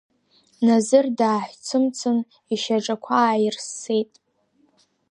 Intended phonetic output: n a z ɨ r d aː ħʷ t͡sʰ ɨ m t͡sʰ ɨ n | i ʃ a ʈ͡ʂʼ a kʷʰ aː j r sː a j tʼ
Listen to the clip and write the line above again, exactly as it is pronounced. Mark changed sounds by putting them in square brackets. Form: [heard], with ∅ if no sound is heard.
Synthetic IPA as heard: n a z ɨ r d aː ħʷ t͡sʰ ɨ m t͡sʰ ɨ n | i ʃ a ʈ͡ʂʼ a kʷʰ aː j r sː [e] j tʼ